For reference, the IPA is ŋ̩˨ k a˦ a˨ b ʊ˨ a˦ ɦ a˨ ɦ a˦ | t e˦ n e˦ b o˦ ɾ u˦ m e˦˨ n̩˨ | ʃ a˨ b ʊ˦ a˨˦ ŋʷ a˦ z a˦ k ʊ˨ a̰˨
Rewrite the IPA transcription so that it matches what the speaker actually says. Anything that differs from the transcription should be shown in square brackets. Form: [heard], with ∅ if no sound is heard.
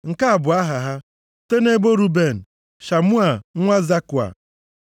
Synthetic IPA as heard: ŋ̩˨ k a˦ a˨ b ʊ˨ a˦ ɦ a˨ ɦ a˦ | t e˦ n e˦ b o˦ ɾ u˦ [b] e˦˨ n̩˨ | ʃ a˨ [m] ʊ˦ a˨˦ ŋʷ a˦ z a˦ k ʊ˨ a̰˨

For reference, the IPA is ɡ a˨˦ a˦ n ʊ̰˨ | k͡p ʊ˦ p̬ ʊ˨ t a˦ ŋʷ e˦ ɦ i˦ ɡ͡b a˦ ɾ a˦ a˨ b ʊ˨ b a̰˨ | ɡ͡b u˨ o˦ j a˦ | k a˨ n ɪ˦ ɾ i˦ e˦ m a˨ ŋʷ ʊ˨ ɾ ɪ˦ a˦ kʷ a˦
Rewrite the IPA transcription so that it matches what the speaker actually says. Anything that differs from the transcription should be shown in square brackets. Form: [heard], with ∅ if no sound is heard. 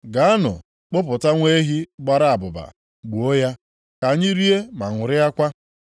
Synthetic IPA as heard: ɡ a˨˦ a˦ n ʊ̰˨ | k͡p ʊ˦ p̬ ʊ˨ t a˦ ŋʷ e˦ ɦ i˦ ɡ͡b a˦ ɾ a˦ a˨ b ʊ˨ b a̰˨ | ɡ͡b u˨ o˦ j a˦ | k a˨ [ɲ] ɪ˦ ɾ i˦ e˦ m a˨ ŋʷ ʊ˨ ɾ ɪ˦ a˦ kʷ a˦

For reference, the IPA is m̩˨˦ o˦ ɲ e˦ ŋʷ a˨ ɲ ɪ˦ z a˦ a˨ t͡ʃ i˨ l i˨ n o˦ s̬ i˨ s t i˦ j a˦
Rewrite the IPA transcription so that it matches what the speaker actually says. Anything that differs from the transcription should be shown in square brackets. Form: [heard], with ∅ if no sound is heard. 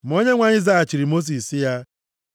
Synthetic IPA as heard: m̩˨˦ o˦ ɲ e˦ ŋʷ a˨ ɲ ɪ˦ z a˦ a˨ t͡ʃ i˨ [ɾ] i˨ [m] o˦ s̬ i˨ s [s] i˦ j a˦

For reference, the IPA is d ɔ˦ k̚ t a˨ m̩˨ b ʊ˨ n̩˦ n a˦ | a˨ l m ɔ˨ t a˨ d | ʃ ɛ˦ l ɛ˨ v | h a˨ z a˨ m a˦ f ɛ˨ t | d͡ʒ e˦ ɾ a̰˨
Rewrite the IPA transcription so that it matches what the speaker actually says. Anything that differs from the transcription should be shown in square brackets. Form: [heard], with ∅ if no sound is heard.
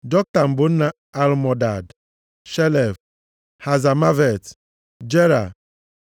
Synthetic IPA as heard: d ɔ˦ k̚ t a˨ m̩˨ b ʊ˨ n̩˦ n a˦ | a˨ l m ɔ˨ [d] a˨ d | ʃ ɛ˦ l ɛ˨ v | h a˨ z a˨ m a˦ [v] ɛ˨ t | d͡ʒ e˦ ɾ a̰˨

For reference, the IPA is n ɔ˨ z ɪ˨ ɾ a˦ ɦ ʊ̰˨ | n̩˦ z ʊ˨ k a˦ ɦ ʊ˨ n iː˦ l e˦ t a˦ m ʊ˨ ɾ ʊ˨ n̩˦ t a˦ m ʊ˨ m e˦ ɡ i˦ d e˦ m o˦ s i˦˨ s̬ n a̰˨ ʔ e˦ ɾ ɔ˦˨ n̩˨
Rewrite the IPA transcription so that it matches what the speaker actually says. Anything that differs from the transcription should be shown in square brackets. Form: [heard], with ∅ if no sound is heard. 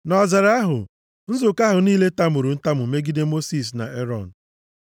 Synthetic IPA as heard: n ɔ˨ z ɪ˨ ɾ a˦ ɦ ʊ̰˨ | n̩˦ z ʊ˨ k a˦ ɦ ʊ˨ n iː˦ l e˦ t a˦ m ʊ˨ ɾ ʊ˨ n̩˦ t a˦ m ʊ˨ m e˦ ɡ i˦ d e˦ m o˦ s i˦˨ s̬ n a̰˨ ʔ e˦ ɾ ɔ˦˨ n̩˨

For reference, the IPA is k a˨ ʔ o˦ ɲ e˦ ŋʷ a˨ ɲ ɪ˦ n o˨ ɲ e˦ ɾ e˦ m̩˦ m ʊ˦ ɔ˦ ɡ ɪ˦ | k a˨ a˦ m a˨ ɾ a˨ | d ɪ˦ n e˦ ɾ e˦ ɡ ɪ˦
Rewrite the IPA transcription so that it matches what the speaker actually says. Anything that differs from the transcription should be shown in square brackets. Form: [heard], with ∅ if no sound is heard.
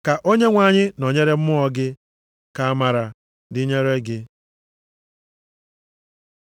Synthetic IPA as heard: k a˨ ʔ o˦ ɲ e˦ ŋʷ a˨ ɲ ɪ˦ n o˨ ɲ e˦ ɾ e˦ m̩˦ m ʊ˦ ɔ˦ ɡ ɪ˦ | k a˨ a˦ m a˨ ɾ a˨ | d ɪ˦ [ɲ] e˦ ɾ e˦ ɡ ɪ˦

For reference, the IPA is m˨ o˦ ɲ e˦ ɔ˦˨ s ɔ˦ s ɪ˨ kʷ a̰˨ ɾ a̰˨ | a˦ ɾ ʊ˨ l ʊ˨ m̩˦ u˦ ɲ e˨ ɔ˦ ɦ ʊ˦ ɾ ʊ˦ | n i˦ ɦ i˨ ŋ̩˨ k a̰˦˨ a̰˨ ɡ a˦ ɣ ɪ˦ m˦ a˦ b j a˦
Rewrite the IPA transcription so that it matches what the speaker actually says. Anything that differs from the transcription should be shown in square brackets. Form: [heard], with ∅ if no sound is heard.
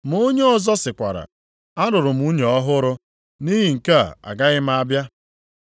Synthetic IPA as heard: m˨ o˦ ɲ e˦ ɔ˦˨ [z] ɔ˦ s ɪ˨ kʷ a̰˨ ɾ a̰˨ | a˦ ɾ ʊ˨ [ɾ] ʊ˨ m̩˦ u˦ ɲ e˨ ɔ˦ ɦ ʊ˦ ɾ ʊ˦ | n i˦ ɦ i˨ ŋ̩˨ k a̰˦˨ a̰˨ ɡ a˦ ɣ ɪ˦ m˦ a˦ b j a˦

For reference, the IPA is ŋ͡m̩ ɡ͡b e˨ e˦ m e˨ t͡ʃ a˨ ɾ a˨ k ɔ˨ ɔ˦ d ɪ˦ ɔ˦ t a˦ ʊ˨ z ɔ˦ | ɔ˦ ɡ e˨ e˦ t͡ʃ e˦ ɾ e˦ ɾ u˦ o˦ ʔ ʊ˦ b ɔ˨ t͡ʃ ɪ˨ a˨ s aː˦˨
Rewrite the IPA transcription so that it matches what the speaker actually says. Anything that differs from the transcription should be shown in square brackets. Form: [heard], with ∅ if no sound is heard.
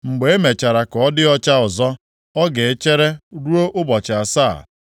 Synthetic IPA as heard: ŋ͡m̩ ɡ͡b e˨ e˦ m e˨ t͡ʃ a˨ ɾ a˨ k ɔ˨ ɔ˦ d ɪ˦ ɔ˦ [t͡ʃ] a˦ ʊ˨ z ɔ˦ | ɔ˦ ɡ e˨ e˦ t͡ʃ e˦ ɾ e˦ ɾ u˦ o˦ ʔ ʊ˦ b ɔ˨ t͡ʃ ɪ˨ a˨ s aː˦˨

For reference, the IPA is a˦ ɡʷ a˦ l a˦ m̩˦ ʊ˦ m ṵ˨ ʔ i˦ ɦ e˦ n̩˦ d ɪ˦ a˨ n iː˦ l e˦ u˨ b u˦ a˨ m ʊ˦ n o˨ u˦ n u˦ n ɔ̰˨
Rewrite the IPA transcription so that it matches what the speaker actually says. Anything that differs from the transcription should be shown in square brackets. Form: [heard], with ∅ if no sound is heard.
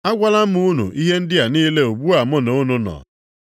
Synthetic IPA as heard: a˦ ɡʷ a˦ l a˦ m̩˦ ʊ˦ [n] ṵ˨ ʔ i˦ ɦ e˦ n̩˦ d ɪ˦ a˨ n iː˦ l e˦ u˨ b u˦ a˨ m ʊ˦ n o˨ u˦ n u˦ n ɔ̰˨

